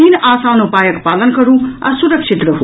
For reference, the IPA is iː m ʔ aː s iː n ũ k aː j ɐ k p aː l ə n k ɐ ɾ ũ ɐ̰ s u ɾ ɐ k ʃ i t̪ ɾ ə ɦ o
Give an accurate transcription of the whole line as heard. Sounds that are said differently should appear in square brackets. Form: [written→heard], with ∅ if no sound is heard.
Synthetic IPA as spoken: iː [m→n] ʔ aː s [iː→aː] n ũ [k→p] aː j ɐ k p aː l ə n k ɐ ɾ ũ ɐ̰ s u ɾ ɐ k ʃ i t̪ ɾ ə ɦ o